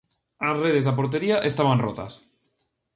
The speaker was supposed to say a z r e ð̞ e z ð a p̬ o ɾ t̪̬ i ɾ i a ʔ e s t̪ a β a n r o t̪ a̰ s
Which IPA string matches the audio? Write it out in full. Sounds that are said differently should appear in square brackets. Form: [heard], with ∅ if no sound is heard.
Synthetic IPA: a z r e ð̞ e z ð a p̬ o ɾ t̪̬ [e] ɾ i a ʔ e s t̪ a β a n r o t̪ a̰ s

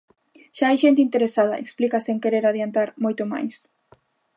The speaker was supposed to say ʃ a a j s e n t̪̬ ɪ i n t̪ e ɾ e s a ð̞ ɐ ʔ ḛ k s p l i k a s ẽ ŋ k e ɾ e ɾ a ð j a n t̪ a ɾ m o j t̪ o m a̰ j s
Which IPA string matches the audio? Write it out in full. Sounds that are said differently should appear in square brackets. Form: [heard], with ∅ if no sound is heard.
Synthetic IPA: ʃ a a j [ʃ] e n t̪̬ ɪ i n t̪ e ɾ e s a ð̞ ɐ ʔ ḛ k s p l i k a s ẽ ŋ k e ɾ e ɾ a ð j a n t̪ a ɾ m o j t̪ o m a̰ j s

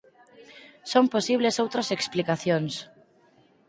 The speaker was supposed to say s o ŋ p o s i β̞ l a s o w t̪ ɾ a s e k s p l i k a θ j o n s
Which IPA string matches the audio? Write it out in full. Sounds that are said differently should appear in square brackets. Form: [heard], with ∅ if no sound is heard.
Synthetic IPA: s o [m] p o s i β̞ l [e] s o w t̪ ɾ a s e k s p l i k a θ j o n s

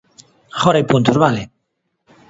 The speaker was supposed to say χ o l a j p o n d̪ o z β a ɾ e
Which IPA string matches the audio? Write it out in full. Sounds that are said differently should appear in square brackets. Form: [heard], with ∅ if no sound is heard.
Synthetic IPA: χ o [ɾ] a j p [u] n [t̪] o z β a [l] e

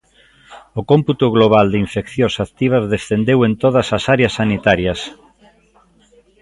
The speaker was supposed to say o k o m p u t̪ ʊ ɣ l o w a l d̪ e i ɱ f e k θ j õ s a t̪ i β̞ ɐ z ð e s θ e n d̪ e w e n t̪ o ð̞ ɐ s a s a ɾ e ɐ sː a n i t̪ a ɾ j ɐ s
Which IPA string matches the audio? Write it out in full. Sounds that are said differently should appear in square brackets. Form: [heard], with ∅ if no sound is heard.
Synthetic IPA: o k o m p u t̪ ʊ ɣ l o [β] a l d̪ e i ɱ f e k θ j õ s a t̪ i β̞ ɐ z ð e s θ e n d̪ e w e n t̪ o ð̞ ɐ s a s a ɾ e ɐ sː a n i t̪ a ɾ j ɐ s

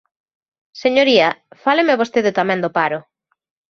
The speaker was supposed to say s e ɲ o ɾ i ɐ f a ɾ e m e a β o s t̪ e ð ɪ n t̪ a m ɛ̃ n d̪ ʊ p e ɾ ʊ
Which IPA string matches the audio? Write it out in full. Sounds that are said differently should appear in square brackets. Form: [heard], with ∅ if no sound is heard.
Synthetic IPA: s e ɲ o ɾ i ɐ f a [l] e m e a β o s t̪ e ð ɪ [∅] t̪ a m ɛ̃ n d̪ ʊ p [a] ɾ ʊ

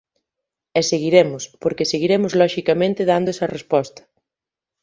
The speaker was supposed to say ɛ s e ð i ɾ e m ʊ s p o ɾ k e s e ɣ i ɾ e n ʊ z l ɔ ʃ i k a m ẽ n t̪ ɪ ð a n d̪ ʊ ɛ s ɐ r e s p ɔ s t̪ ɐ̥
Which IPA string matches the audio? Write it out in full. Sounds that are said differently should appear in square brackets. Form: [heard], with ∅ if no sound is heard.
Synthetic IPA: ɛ s e [ɣ] i ɾ e m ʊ s p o ɾ k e s e ɣ i ɾ e [m] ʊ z l ɔ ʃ i k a m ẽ n t̪ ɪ ð a n d̪ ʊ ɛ s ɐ r e s p ɔ s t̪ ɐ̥

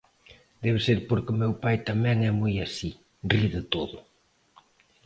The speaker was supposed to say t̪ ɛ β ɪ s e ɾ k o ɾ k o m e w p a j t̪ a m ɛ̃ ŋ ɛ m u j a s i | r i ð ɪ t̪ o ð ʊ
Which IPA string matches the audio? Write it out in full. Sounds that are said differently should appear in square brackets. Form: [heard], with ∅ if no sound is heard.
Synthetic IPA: [d̪] ɛ β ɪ s e ɾ [p] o ɾ k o m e w p a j t̪ a m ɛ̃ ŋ ɛ m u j a s i | r i ð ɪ t̪ o ð ʊ

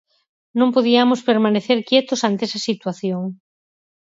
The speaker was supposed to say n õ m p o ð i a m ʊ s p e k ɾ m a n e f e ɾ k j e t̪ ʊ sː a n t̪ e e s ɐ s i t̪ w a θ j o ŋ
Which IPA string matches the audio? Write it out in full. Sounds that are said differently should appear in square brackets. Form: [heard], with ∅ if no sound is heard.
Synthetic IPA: n õ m p o ð i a m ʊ s p e [∅] ɾ m a n e [θ] e ɾ k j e t̪ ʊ [s] a n t̪ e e s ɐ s i t̪ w a θ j o ŋ

